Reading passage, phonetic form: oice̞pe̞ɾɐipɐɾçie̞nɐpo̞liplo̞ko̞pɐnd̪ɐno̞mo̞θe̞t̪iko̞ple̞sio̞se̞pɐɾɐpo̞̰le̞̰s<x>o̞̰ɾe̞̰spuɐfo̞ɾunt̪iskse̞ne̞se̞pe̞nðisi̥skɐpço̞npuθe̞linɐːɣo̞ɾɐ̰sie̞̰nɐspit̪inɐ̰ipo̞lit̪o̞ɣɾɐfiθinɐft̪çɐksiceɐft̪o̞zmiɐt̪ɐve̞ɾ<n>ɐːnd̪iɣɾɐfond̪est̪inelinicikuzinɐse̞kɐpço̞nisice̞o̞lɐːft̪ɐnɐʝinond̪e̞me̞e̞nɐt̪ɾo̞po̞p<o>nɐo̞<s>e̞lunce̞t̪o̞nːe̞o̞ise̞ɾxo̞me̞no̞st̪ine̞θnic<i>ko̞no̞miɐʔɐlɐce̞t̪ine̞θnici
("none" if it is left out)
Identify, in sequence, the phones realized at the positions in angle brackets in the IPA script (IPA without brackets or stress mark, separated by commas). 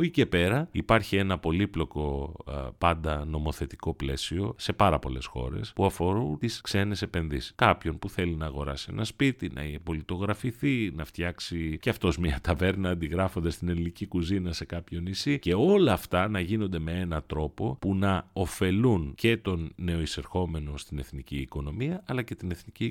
x, n, u, f, iː